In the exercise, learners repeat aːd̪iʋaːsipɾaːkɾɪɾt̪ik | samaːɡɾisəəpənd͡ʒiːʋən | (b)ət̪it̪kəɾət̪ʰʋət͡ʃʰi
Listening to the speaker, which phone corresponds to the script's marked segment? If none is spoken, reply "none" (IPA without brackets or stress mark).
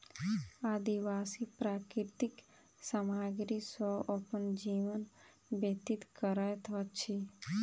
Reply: b